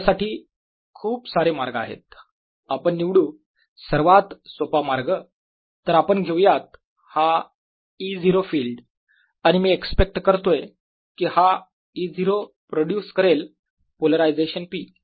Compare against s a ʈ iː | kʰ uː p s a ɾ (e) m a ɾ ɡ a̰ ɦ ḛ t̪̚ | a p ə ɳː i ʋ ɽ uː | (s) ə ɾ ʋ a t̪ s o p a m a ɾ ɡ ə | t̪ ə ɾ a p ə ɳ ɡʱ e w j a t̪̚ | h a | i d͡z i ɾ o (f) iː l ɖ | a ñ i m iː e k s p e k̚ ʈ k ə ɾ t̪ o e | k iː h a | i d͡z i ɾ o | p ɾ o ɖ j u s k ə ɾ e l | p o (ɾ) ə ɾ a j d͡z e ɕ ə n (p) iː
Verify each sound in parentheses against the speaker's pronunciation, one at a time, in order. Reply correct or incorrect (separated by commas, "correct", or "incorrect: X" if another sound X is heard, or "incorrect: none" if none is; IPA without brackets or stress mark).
correct, correct, correct, incorrect: l, correct